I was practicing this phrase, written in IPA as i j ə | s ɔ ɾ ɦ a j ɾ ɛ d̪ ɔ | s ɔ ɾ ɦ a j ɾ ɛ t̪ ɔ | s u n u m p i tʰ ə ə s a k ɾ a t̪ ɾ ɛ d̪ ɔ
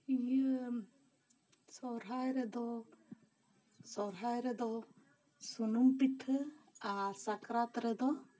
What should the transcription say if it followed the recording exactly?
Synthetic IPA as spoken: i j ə | s ɔ ɾ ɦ a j ɾ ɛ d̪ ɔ | s ɔ ɾ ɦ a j ɾ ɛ d̪ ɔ | s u n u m p i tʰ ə a s a k ɾ a t̪ ɾ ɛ d̪ ɔ